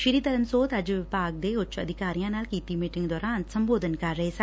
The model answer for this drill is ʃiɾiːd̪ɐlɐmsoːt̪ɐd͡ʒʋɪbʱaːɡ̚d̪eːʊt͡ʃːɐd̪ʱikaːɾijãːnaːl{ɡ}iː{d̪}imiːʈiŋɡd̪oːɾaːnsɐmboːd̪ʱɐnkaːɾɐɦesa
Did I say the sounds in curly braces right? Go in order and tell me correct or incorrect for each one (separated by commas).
incorrect, incorrect